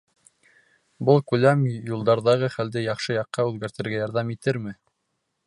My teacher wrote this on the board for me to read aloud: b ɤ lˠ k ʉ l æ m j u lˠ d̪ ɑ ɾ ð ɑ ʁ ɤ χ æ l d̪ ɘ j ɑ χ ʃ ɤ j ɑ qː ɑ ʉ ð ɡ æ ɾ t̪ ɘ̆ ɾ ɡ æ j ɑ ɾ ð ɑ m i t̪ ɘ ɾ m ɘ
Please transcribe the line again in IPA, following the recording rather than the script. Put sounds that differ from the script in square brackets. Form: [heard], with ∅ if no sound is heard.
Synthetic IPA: b ɤ lˠ k ʉ l æ m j u lˠ d̪ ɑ ɾ ð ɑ ʁ ɤ χ æ l d̪ ɘ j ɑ χ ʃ ɤ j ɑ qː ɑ ʉ ð ɡ æ ɾ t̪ ɘ̆ ɾ ɡ æ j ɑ ɾ ð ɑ m i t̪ ɘ ɾ m ɘ